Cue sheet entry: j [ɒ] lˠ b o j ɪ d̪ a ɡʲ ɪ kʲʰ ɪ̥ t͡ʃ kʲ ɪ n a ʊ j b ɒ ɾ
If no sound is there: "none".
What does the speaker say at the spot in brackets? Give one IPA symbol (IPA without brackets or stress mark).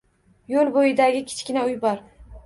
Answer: o